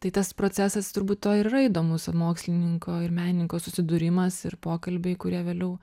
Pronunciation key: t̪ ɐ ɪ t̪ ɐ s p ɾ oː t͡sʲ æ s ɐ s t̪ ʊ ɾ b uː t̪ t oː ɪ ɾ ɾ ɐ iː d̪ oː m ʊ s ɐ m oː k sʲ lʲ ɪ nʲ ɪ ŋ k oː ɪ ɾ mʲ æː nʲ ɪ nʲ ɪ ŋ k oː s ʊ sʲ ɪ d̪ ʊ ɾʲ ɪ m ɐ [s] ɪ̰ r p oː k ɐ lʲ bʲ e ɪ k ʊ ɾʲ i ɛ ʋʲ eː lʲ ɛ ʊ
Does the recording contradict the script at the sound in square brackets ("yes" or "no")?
no